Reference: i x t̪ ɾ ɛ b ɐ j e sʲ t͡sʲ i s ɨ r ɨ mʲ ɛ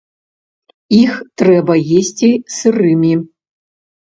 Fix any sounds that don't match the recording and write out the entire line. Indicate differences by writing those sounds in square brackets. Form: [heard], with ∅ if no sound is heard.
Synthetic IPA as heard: i x t̪ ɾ ɛ b ɐ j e sʲ t͡sʲ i s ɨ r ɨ mʲ [i]